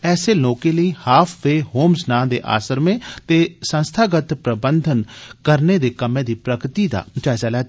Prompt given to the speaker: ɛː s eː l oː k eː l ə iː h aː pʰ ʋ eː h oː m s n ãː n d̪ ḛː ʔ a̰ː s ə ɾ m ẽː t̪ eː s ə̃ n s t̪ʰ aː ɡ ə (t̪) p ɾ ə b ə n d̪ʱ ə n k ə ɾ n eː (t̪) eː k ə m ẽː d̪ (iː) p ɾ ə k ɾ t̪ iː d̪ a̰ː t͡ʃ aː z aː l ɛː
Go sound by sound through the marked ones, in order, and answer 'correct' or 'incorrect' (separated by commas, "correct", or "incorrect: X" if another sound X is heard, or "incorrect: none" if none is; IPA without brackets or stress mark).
correct, incorrect: d̪, correct